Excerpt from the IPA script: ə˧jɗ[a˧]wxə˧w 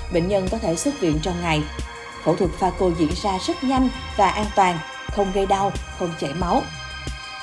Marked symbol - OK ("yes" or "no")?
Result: yes